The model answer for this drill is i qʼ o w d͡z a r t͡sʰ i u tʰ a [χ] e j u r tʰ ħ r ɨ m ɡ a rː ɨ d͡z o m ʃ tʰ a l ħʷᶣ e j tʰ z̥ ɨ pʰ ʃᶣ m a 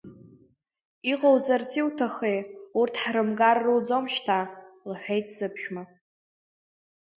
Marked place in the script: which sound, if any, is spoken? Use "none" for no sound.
χ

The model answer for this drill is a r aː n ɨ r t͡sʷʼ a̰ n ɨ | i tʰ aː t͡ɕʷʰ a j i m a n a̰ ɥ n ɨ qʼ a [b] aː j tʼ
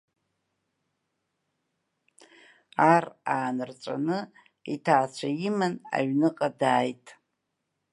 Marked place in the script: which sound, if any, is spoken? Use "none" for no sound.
d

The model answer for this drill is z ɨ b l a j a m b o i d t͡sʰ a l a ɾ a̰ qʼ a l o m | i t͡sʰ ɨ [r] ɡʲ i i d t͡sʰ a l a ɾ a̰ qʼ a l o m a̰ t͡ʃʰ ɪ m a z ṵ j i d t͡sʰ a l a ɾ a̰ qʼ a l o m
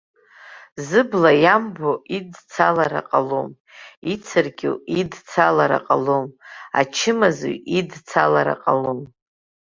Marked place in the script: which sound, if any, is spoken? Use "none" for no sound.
r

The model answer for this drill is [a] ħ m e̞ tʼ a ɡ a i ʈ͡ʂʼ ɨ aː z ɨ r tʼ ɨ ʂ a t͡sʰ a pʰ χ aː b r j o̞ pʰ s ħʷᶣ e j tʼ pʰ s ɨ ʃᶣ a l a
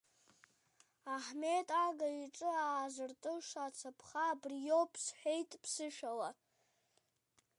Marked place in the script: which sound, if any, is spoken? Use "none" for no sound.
a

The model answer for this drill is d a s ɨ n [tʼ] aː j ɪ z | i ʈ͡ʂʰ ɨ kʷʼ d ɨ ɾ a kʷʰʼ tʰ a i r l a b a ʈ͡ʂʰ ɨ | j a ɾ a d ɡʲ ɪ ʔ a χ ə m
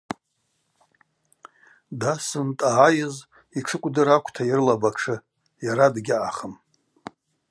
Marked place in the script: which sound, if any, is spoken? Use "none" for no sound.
tʼ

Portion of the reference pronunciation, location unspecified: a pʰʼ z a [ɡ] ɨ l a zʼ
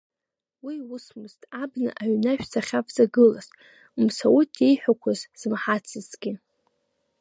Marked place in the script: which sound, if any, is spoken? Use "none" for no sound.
ɡ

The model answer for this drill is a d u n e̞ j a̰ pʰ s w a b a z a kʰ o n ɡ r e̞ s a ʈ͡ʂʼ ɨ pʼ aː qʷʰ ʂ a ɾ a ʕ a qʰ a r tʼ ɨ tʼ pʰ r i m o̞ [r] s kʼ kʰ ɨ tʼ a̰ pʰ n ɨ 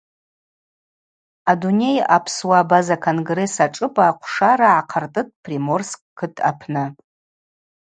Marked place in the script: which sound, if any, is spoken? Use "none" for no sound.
r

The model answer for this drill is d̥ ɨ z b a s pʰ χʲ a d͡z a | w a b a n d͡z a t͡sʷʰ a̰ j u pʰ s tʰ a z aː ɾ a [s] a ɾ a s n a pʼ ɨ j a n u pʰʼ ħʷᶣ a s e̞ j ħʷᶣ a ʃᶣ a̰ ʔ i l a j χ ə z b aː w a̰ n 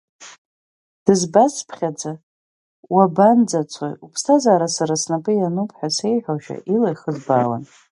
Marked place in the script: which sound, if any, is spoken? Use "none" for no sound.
s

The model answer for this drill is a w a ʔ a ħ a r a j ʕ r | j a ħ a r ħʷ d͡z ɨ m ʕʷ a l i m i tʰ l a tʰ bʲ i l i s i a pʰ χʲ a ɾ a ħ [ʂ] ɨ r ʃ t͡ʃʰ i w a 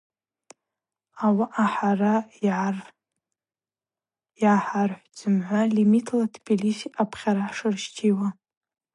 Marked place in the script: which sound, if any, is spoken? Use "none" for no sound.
ʂ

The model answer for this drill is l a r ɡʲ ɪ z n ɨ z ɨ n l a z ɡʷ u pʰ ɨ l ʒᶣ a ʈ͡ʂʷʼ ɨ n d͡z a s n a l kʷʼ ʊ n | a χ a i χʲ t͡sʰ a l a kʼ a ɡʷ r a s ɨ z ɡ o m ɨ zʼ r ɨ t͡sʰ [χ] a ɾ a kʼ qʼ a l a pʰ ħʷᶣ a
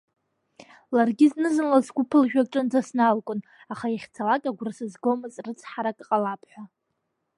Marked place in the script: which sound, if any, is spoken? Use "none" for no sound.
ħ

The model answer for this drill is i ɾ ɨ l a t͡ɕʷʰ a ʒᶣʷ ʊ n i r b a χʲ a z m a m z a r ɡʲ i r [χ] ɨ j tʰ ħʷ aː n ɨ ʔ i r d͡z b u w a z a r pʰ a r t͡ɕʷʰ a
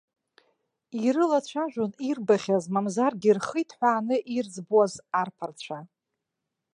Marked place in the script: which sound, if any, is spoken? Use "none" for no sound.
χ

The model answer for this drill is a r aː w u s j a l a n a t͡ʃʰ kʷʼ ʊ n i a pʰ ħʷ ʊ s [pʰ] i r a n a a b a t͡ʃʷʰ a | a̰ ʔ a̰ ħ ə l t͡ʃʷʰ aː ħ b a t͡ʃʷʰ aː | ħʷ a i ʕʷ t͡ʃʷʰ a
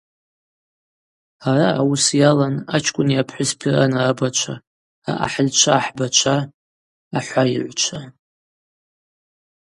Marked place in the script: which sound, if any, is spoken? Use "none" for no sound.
pʰ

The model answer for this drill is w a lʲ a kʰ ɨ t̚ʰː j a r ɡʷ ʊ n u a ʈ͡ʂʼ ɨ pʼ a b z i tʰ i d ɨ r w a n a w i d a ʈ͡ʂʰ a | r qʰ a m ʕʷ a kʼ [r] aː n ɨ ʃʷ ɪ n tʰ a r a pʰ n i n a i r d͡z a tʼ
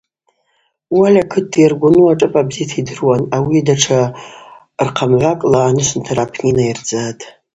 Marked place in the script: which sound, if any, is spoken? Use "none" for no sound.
l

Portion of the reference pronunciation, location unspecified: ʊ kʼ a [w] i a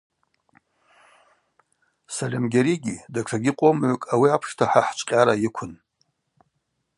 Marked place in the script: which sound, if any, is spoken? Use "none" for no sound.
w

